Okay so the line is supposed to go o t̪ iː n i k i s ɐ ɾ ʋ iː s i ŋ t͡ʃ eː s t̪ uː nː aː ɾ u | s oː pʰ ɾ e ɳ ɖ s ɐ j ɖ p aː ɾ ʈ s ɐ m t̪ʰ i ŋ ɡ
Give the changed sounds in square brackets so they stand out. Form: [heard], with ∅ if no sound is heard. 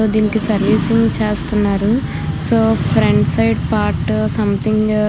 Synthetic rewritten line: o [d̪] iː n i k i s ɐ ɾ ʋ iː s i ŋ t͡ʃ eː s t̪ [u] nː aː ɾ u | s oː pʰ ɾ e ɳ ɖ s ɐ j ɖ p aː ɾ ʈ s ɐ m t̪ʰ i ŋ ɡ